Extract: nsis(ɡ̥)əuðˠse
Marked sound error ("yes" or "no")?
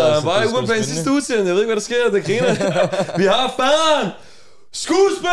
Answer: yes